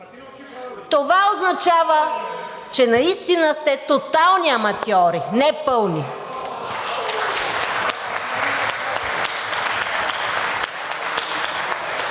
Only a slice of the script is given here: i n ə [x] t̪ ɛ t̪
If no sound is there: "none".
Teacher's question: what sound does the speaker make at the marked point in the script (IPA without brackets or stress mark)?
s